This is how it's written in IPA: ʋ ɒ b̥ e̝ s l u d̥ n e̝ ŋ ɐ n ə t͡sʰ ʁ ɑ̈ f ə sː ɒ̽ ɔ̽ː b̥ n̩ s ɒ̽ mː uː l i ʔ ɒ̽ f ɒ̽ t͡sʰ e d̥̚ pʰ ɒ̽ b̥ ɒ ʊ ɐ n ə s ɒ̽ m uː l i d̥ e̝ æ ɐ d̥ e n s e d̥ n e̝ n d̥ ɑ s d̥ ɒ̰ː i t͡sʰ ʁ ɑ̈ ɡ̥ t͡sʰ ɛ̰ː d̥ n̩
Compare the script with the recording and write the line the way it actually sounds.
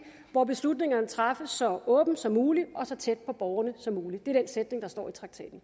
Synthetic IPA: ʋ ɒ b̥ e̝ s l u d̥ n e̝ ŋ ɐ n ə t͡sʰ ʁ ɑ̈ f ə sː ɒ̽ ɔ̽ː b̥ n̩ s ɒ̽ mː uː l i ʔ ɒ̽ s ɒ̽ t͡sʰ e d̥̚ pʰ ɒ̽ b̥ ɒ ʊ ɐ n ə s ɒ̽ m uː l i d̥ e̝ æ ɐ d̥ e n s e d̥ n e̝ ŋ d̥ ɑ s d̥ ɒ̰ː i t͡sʰ ʁ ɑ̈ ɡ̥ t͡sʰ ɛ̰ː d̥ n̩